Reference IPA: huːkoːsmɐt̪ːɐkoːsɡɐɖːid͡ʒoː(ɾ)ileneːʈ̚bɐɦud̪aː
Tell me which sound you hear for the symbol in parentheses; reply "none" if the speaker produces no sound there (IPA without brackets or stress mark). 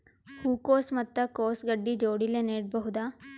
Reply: ɽ